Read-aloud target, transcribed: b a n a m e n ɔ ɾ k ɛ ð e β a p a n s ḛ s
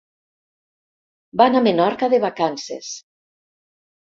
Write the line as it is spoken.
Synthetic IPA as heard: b a n a m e n ɔ ɾ k a ð e β a k a n s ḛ s

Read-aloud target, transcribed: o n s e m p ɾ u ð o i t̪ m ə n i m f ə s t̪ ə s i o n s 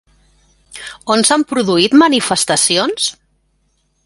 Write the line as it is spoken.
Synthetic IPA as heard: o n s a m p ɾ u ð u i t̪ m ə n i f ə s t̪ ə s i o n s

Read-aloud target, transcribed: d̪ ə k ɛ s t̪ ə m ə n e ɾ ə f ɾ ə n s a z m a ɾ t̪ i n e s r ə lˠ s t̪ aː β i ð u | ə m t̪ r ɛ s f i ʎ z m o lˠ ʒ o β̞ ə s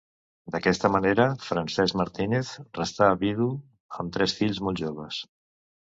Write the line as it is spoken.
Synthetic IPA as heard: d̪ ə k ɛ s t̪ ə m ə n e ɾ ə f ɾ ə n s ɛ z m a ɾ t̪ i n e θ r ə s t̪ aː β i ð u | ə m t̪ ɾ ɛ s f i ʎ z m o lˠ ʒ o β̞ ə s

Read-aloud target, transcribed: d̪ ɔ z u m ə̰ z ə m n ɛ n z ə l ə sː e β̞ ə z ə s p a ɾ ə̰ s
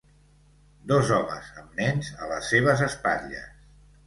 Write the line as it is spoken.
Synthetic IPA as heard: d̪ ɔ z ɔ m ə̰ z ə m n ɛ n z ə l ə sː e β̞ ə z ə s p a ʎ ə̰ s

